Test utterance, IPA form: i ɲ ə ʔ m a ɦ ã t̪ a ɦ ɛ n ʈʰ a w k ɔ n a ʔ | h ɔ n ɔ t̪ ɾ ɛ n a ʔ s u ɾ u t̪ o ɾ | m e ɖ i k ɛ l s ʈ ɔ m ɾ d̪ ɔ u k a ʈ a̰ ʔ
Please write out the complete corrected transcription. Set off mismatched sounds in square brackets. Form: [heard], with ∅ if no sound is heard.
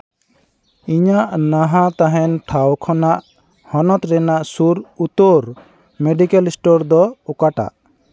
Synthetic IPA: i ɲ [a] ʔ [n] a ɦ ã t̪ a ɦ ɛ n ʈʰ a w [kʰ] ɔ n a ʔ | h ɔ n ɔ t̪ ɾ ɛ n a ʔ s u ɾ u t̪ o ɾ | m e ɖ i k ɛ l s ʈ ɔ [∅] ɾ d̪ ɔ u k a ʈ a̰ ʔ